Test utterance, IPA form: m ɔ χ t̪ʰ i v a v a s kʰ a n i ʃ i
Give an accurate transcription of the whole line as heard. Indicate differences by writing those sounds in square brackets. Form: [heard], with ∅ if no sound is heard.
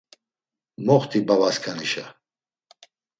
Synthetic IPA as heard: m ɔ χ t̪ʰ i [b] a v a s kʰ a n i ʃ [a]

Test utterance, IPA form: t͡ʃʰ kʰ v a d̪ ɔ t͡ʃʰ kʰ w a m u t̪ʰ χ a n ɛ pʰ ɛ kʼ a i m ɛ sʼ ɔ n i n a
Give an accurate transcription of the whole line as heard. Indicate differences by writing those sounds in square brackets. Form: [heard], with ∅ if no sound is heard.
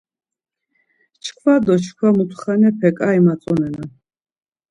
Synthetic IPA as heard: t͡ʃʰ kʰ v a d̪ ɔ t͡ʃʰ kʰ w a m u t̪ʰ χ a n ɛ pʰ ɛ kʼ a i m [a] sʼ ɔ n [ɛ] n a

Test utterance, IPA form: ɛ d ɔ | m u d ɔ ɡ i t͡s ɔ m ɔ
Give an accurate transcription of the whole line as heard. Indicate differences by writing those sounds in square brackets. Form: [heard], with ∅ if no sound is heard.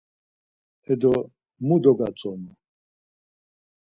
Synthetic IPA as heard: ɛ d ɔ | m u d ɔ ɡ [a] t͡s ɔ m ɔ

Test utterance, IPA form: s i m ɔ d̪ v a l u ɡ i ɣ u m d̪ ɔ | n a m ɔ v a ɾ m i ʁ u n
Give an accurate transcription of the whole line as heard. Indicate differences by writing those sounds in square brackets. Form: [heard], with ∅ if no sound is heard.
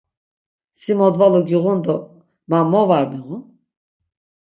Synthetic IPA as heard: s i m ɔ d̪ v a l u ɡ i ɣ u [n] d̪ ɔ | [m] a m ɔ v a ɾ m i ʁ u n

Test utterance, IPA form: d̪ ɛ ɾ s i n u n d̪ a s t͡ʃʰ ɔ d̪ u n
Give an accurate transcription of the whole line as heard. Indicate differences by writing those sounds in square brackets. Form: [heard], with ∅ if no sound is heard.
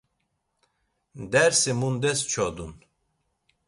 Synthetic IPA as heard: d̪ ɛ ɾ s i [m] u n d̪ [ɛ] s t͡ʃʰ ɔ d̪ u n

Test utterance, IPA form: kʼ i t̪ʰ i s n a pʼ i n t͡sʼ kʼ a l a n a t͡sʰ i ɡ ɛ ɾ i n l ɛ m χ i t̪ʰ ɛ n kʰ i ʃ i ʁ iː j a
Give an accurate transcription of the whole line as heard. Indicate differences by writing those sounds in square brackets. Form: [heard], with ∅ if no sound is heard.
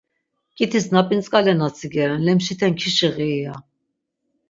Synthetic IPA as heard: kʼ i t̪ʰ i s n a pʼ i n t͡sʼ kʼ a l [ɛ] n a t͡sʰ i ɡ ɛ ɾ [ɛ] n l ɛ m [ʃ] i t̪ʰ ɛ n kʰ i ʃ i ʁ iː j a

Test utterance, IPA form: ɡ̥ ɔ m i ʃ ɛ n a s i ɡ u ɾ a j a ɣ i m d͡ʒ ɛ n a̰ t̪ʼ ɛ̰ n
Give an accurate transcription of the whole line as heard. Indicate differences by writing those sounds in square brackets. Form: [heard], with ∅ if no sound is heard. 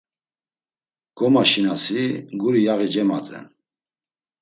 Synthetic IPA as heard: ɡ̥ ɔ m [a] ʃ [i] n a s i ɡ u ɾ [i] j a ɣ i [∅] d͡ʒ ɛ [m] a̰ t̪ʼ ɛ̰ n

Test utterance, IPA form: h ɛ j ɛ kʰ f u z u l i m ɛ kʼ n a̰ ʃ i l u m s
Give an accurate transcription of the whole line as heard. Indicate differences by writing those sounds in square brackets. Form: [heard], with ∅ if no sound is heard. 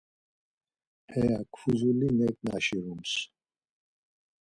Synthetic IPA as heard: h ɛ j [a] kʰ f u z u l i [n] ɛ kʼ n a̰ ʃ i [ɾ] u m s

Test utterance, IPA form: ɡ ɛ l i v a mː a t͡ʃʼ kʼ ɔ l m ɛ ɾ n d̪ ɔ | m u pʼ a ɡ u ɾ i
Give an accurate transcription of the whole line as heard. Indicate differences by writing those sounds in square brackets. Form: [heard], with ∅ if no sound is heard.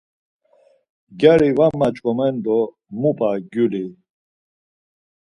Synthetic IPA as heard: ɡ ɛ [ɾ] i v a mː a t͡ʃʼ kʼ ɔ [∅] m ɛ [∅] n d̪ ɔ | m u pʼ a ɡ u [l] i

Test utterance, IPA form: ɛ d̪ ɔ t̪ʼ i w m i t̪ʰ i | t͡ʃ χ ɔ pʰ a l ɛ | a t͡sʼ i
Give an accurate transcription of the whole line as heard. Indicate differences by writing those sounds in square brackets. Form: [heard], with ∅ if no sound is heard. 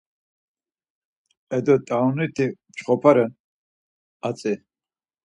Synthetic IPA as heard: ɛ d̪ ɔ t̪ʼ [a] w [n] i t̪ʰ i | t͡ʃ χ ɔ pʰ a [ɾ] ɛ | a t͡sʼ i

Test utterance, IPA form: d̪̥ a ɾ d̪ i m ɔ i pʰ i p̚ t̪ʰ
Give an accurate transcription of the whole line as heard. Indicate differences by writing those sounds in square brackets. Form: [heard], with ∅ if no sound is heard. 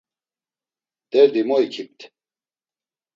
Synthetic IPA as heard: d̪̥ [ɛ] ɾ d̪ i m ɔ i [kʰ] i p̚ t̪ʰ

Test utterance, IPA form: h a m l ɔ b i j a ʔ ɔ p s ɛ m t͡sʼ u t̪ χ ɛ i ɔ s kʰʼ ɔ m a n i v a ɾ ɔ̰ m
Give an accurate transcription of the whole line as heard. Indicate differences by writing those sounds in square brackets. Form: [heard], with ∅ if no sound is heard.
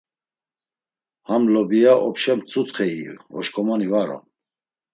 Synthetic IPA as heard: h a m l ɔ b i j a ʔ ɔ p [ʃ] ɛ m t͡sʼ u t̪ χ ɛ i ɔ [ʃ] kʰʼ ɔ m a n i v a ɾ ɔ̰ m

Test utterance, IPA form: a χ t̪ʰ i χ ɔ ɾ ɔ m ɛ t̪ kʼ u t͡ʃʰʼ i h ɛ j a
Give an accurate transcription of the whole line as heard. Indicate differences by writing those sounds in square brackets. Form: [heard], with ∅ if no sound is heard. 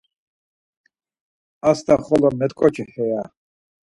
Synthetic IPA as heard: a [s] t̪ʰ [a] χ ɔ [l] ɔ m ɛ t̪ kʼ [ɔ] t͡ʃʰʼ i h ɛ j a

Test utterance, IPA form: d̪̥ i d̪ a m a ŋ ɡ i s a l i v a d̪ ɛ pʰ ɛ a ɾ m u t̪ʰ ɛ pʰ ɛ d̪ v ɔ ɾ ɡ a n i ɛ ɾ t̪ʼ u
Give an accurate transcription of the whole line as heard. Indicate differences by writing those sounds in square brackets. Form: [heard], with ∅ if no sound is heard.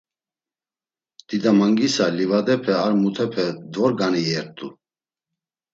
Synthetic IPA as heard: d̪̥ i d̪ a m a ŋ ɡ i s a l i v a d̪ ɛ pʰ ɛ a ɾ m u t̪ʰ ɛ pʰ ɛ d̪ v ɔ ɾ ɡ a n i ɛ ɾ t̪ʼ u

